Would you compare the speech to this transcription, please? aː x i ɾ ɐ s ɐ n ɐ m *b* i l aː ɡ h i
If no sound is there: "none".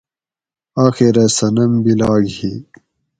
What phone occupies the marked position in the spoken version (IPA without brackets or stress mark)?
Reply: b